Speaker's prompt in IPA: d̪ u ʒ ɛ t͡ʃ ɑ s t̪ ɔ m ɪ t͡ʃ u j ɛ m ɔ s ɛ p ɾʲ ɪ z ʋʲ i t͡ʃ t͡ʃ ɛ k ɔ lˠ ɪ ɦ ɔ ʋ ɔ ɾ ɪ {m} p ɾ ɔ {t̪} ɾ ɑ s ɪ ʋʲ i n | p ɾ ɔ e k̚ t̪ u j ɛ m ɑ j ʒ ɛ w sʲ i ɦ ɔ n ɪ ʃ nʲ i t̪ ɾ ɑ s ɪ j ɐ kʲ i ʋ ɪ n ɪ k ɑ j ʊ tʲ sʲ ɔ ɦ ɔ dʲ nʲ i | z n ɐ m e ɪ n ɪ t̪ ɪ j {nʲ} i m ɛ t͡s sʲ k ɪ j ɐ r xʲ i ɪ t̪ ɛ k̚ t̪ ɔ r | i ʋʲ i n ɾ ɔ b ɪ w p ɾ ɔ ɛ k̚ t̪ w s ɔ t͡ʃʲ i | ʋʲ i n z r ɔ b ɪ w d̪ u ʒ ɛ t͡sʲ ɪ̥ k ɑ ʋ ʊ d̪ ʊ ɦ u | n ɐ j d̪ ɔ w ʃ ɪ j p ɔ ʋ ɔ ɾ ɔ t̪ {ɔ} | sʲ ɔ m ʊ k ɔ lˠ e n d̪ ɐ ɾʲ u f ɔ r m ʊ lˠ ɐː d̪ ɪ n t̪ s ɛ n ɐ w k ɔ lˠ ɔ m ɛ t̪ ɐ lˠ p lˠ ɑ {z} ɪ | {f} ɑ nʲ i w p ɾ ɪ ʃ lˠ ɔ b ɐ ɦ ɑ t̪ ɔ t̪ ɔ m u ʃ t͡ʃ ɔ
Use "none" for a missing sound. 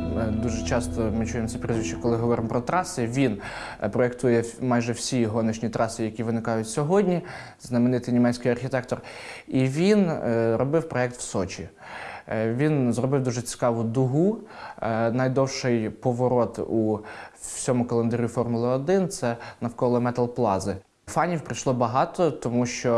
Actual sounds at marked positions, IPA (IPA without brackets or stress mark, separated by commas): m, t̪, nʲ, u, z, f